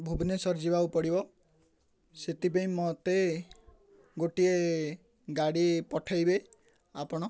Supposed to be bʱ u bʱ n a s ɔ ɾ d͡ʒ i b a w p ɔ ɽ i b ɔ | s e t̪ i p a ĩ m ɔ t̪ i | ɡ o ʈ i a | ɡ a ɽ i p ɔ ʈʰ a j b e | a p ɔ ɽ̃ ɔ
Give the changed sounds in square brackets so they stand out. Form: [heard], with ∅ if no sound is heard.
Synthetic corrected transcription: bʱ u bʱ n [e] s ɔ ɾ d͡ʒ i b a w p ɔ ɽ i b ɔ | s e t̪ i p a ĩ m ɔ t̪ [e] | ɡ o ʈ i [e] | ɡ a ɽ i p ɔ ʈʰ a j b e | a p ɔ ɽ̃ ɔ

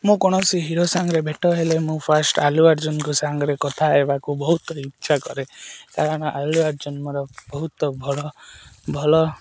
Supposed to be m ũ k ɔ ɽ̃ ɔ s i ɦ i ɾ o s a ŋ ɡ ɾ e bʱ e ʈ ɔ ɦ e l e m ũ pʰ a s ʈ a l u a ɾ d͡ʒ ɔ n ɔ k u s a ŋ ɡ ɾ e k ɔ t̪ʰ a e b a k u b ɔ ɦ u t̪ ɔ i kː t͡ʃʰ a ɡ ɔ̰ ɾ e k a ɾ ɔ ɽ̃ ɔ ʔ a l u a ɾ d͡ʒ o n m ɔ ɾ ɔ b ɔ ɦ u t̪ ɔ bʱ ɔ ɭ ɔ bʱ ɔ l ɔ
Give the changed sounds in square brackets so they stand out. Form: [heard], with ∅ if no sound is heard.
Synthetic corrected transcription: m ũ k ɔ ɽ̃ ɔ s i ɦ i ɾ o s a ŋ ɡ ɾ e bʱ e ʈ ɔ ɦ e l e m ũ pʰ a s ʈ a l u a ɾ d͡ʒ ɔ n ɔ k u s a ŋ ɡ ɾ e k ɔ t̪ʰ a e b a k u b ɔ ɦ u t̪ ɔ i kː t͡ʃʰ a [k] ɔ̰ ɾ e k a ɾ ɔ ɽ̃ ɔ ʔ a l u a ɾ d͡ʒ [ɔ] n m ɔ ɾ ɔ b ɔ ɦ u t̪ ɔ bʱ ɔ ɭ ɔ bʱ ɔ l ɔ

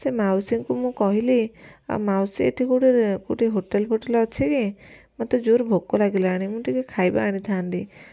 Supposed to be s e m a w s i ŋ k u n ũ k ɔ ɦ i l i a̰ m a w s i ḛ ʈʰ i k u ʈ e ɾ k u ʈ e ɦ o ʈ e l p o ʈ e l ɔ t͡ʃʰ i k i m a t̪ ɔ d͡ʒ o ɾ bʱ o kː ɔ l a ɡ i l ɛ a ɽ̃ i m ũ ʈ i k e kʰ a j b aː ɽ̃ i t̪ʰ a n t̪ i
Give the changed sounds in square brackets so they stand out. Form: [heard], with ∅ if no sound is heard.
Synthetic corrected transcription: s e m a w s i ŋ k u [m] ũ k ɔ ɦ i l i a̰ m a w s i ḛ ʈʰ i k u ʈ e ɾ k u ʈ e ɦ o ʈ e l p o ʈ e l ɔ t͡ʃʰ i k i m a t̪ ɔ d͡ʒ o ɾ bʱ o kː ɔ l a ɡ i l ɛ a ɽ̃ i m ũ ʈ i k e kʰ a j b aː ɽ̃ i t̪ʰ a n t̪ i

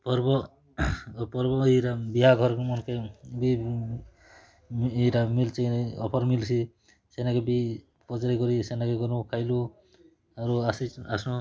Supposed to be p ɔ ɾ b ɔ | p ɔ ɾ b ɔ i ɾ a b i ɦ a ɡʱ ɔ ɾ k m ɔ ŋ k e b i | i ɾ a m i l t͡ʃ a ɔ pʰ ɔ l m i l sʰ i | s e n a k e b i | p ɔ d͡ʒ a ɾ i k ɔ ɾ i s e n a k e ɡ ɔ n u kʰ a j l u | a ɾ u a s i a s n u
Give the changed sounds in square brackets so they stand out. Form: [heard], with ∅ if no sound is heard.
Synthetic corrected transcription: p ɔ ɾ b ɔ | p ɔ ɾ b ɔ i ɾ a b i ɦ a ɡʱ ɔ ɾ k m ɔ [n] k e b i | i ɾ a m i l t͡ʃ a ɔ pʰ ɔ [ɾ] m i l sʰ i | s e n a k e b i | p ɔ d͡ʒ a ɾ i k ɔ ɾ i s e n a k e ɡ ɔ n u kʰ a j l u | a ɾ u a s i a s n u

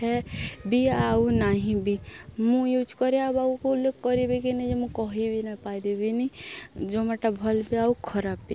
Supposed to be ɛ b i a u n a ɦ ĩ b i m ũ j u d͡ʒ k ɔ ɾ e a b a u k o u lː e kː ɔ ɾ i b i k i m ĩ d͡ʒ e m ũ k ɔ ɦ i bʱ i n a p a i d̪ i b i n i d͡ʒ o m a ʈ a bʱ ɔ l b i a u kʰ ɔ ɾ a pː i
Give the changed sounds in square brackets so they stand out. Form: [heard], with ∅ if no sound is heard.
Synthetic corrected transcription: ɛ b i a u n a ɦ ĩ b i m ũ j u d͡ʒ k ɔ ɾ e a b a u k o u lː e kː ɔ ɾ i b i k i [n] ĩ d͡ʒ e m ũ k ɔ ɦ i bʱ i n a p a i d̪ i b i n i d͡ʒ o m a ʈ a bʱ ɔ l b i a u kʰ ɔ ɾ a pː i

